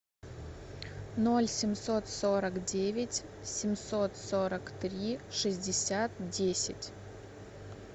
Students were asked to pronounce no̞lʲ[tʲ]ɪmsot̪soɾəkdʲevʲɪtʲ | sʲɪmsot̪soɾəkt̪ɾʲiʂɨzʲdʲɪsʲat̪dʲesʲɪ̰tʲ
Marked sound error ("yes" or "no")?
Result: yes